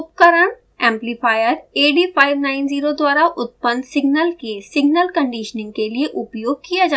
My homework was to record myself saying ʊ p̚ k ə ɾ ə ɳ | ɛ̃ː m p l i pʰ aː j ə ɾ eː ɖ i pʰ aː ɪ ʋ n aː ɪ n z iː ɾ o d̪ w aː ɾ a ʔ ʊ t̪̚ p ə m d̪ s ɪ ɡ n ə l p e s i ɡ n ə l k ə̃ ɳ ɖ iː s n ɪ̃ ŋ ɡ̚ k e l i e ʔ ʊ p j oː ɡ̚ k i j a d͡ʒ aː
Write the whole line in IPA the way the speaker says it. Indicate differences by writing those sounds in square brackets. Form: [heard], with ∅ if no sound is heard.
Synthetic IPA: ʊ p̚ k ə ɾ ə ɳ | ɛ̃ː m p l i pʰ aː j ə ɾ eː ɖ i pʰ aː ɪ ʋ n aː ɪ n z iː ɾ o d̪ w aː ɾ a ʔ ʊ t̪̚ p ə [n] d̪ s ɪ ɡ n ə l [k] e s [ɪ] ɡ n ə l k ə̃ ɳ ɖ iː [ʃ] n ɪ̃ ŋ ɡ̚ k e l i e ʔ ʊ p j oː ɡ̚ k i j a d͡ʒ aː